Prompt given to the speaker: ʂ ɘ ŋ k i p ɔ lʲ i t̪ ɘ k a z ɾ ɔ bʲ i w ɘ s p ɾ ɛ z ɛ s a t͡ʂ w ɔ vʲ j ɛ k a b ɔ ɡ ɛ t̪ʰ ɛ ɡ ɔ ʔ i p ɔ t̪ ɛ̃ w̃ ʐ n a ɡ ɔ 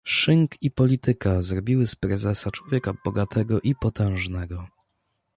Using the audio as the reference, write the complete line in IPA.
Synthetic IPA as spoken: ʂ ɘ ŋ k i p ɔ lʲ i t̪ ɘ k a z ɾ ɔ bʲ i w ɘ s p ɾ ɛ z ɛ s a t͡ʂ w ɔ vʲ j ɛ k a b ɔ ɡ a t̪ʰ ɛ ɡ ɔ ʔ i p ɔ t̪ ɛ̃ w̃ ʐ n ɛ ɡ ɔ